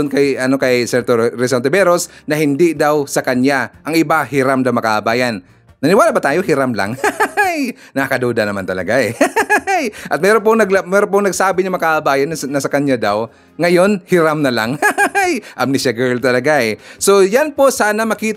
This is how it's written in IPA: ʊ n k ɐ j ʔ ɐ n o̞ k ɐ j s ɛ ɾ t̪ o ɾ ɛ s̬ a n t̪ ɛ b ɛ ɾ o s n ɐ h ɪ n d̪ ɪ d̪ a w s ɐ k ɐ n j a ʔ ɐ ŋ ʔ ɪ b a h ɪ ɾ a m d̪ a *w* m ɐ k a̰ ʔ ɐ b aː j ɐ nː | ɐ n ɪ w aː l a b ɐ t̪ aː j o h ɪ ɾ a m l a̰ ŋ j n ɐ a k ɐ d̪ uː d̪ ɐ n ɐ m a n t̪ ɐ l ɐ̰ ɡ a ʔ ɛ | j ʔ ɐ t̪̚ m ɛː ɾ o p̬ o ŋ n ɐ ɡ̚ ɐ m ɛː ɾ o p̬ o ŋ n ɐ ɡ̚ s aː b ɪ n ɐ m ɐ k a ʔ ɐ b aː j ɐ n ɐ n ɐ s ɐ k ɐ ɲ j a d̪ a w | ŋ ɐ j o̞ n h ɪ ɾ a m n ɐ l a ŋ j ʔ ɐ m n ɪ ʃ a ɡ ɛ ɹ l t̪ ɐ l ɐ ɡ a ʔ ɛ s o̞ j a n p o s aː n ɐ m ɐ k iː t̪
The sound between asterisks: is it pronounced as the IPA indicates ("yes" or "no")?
yes